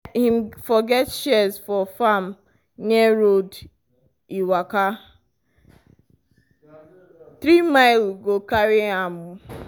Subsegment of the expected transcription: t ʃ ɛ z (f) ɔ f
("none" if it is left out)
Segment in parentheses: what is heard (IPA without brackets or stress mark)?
f